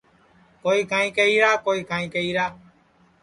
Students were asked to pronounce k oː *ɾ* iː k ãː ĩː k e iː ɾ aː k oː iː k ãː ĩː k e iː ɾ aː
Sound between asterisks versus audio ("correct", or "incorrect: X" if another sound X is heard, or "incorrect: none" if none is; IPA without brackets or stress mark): incorrect: none